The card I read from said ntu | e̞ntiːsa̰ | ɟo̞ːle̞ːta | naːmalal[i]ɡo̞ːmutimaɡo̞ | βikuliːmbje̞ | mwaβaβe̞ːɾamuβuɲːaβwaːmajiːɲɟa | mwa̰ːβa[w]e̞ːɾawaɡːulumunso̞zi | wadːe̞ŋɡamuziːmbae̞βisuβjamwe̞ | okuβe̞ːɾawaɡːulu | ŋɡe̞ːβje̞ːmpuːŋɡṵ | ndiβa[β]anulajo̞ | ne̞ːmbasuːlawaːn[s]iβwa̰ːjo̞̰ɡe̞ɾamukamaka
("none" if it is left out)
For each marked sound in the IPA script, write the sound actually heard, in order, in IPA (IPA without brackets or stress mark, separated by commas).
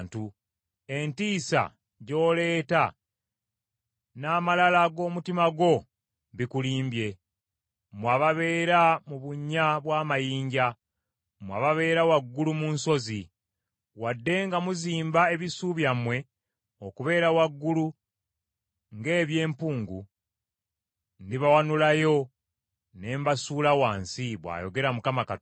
a, β, w, s